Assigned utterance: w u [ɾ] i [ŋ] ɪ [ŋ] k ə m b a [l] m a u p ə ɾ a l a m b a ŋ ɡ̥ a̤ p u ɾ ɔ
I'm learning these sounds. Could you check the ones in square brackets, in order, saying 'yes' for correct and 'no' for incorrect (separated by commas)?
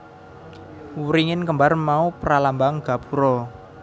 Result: yes, yes, no, no